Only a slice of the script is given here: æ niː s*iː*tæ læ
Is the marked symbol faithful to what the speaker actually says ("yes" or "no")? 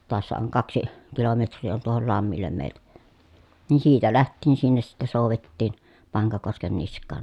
yes